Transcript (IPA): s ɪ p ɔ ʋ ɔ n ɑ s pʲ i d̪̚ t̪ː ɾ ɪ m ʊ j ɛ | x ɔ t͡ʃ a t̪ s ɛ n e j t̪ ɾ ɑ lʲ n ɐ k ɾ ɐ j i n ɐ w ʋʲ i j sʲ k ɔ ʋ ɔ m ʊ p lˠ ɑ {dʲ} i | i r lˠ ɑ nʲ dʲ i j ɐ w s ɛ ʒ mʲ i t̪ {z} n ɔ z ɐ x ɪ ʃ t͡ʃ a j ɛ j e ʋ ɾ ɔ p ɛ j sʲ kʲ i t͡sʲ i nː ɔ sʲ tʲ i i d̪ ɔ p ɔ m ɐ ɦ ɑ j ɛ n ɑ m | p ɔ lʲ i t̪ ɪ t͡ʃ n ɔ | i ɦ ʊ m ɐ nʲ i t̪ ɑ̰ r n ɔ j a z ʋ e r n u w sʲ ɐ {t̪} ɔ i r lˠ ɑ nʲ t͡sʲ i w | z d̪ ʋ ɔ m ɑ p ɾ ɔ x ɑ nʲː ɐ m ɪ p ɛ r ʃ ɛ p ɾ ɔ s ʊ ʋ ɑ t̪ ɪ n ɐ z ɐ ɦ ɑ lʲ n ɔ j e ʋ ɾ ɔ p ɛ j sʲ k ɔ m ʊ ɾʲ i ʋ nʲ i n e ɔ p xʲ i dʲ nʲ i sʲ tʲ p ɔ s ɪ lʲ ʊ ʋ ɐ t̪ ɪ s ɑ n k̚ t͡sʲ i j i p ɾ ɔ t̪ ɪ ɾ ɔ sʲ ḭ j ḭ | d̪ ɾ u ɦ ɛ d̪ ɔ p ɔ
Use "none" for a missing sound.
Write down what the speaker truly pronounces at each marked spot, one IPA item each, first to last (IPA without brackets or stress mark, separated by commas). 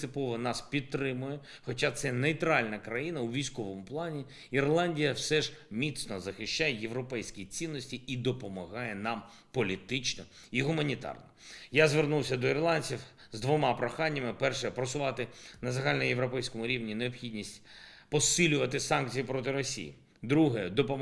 nʲ, s, d̪